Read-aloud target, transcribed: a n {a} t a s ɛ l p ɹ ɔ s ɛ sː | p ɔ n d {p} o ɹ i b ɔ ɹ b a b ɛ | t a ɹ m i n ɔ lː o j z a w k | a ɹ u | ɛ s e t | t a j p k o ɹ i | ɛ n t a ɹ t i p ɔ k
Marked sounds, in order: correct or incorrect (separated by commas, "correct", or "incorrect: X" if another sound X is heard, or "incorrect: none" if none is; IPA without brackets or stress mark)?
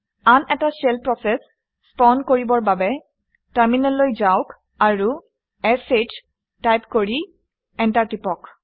incorrect: ɛ, incorrect: k